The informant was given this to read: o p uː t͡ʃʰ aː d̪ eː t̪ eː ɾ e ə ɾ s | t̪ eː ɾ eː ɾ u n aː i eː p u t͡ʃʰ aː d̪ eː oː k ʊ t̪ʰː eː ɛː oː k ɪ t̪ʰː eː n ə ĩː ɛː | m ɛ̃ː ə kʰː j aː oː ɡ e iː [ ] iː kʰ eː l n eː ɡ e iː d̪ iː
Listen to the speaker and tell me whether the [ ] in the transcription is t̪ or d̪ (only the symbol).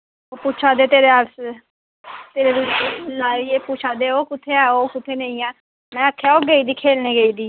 d̪